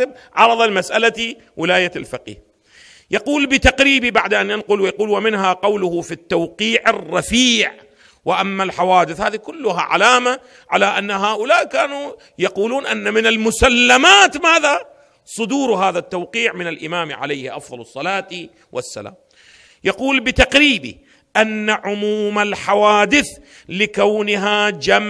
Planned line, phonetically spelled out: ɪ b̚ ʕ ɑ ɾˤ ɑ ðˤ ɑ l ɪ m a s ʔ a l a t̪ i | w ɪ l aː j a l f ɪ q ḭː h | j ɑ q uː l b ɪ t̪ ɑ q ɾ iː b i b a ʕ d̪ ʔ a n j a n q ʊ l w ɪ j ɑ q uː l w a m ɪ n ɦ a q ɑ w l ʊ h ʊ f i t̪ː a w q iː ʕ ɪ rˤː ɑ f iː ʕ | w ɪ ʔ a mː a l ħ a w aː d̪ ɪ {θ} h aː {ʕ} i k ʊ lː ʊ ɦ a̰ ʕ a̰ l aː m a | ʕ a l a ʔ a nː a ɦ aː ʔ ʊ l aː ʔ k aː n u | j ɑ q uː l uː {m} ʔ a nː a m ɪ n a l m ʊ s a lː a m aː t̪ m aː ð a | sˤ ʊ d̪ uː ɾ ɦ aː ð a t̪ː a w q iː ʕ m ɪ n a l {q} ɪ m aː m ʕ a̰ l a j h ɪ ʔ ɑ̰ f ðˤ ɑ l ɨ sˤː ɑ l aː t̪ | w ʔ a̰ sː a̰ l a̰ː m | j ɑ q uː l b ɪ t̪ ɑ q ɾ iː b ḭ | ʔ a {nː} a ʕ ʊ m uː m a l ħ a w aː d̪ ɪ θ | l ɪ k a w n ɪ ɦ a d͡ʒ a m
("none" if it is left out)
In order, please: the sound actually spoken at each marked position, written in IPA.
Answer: θ, ð, n, ʔ, nː

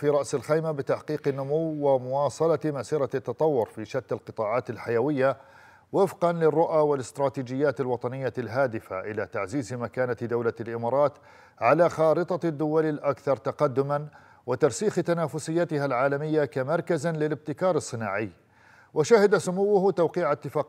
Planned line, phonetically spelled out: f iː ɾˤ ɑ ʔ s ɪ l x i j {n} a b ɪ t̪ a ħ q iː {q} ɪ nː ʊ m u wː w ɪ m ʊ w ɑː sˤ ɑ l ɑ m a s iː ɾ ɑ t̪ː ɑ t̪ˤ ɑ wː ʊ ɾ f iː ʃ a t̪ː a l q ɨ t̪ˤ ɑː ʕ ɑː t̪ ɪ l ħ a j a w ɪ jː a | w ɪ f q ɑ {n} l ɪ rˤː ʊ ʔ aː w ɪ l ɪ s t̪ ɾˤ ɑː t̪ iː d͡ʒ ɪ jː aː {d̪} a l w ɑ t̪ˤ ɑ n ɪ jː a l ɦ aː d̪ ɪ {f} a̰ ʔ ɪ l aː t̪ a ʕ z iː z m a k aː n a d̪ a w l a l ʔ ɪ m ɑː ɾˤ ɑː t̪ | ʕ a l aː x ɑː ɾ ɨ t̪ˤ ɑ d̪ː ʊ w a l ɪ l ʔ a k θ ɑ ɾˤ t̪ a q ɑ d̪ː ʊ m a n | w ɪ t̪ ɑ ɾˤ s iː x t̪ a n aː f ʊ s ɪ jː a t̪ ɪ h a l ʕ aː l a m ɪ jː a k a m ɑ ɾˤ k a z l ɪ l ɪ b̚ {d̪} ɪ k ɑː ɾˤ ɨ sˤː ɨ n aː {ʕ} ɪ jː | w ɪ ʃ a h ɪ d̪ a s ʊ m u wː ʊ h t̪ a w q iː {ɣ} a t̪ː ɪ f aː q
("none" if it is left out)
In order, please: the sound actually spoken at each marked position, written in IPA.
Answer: m, q, n, t̪, f, t̪, ʕ, ʕ

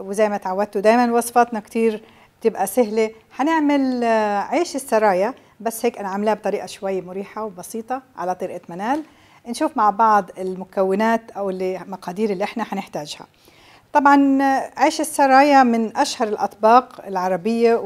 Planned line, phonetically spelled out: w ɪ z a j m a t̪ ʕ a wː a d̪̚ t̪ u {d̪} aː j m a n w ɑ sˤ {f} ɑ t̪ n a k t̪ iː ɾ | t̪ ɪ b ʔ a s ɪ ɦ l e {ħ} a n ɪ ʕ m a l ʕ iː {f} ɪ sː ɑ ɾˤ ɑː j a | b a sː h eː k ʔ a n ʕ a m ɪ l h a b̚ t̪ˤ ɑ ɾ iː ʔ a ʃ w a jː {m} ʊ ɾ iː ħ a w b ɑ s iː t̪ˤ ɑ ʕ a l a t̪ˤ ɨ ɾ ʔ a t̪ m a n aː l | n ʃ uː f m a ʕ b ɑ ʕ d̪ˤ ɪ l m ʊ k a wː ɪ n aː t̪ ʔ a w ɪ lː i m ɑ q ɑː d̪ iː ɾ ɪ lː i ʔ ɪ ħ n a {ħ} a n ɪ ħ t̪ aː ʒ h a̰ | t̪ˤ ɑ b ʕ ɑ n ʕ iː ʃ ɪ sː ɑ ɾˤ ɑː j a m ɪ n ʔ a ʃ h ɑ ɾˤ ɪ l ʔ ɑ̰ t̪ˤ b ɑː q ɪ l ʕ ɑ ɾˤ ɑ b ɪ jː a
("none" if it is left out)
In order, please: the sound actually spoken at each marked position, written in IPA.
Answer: d̪, f, ħ, ʃ, m, ħ

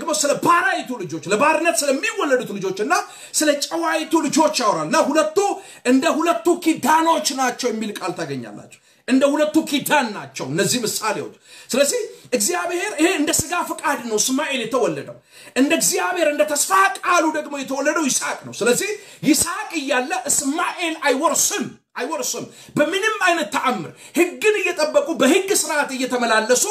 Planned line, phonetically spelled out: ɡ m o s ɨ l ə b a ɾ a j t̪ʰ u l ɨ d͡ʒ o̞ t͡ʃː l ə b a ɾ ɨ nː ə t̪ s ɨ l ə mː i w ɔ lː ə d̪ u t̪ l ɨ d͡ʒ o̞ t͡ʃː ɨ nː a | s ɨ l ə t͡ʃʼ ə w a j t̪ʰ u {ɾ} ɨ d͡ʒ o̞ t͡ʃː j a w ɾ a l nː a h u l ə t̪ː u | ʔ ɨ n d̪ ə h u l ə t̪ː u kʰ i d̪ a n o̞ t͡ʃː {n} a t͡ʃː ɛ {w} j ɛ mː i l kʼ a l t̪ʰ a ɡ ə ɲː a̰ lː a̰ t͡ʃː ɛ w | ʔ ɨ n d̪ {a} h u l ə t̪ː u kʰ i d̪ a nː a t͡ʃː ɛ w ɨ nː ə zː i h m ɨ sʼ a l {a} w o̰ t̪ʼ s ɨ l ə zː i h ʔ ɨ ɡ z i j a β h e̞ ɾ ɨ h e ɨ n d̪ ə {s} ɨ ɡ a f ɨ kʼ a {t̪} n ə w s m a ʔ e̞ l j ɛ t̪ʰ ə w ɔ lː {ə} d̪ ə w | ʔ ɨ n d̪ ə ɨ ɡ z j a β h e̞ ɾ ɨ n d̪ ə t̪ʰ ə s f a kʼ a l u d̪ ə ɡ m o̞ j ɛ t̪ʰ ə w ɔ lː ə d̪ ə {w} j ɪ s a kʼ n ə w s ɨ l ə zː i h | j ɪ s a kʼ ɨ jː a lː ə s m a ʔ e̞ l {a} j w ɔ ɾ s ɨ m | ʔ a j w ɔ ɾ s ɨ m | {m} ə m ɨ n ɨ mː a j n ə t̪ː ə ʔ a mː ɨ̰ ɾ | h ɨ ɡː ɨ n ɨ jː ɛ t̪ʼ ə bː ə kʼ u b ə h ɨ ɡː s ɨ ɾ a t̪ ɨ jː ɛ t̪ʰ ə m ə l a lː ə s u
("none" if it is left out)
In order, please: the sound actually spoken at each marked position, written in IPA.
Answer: l, n, w, ə, e, s, d̪, ə, w, a, b

